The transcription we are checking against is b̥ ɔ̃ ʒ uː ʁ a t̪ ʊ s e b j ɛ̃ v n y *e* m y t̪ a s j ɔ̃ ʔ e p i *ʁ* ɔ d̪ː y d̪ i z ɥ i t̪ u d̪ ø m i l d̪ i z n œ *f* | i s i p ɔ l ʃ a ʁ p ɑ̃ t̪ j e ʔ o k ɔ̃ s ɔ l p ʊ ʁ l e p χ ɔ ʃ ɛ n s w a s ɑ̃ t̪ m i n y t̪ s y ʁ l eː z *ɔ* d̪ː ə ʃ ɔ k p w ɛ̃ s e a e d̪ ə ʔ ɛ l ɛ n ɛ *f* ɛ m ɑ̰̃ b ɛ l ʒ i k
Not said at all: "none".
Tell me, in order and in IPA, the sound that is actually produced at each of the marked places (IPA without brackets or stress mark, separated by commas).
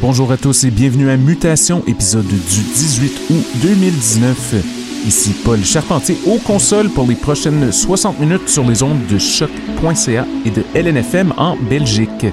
a, z, f, ɔ̃, f